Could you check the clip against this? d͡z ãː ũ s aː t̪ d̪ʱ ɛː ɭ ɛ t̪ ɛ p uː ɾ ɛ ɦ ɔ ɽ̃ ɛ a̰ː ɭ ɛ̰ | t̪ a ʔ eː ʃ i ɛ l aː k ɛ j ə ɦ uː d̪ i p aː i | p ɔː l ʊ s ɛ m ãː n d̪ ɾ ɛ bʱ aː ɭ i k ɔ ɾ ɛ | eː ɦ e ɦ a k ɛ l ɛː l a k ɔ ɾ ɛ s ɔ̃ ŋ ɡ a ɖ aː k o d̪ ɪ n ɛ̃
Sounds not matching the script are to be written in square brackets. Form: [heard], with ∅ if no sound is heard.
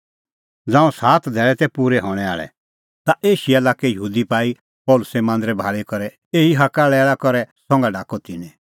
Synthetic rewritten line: d͡z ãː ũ s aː t̪ d̪ʱ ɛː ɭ ɛ t̪ ɛ p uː ɾ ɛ ɦ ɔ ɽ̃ ɛ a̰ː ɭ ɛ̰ | t̪ a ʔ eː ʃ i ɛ l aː k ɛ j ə ɦ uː d̪ i p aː i | p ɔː l ʊ s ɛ m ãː n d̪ ɾ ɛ bʱ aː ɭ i k ɔ ɾ ɛ | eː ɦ [i] ɦ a k [a] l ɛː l a k ɔ ɾ ɛ s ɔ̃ ŋ ɡ a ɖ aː k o [t̪] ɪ n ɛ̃